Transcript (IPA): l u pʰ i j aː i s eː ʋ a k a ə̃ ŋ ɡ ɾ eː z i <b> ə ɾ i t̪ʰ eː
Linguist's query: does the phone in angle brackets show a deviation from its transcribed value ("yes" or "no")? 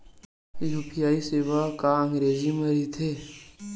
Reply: yes